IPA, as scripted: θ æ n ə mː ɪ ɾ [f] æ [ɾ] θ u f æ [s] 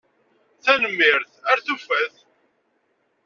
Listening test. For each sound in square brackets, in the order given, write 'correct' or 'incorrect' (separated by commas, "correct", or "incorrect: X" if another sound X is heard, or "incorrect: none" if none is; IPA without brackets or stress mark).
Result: incorrect: θ, correct, incorrect: θ